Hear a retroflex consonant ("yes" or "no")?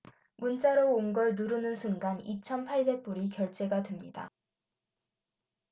yes